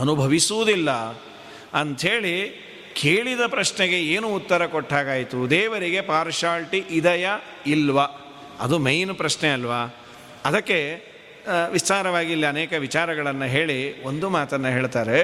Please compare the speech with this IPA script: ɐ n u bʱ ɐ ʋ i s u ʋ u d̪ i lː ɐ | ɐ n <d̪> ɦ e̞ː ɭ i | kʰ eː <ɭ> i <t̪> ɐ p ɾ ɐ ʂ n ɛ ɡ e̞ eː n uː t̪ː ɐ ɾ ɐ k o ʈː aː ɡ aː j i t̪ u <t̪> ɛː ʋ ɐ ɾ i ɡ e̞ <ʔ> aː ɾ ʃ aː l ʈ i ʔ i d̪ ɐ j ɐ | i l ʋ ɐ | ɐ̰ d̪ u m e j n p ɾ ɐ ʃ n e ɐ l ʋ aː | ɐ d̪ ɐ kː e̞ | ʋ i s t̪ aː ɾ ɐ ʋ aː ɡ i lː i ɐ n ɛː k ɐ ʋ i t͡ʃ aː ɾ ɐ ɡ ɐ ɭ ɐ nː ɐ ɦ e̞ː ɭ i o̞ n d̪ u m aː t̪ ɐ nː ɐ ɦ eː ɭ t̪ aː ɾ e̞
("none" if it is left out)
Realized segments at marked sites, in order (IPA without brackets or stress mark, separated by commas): t̪, ɭ, d̪, d̪, p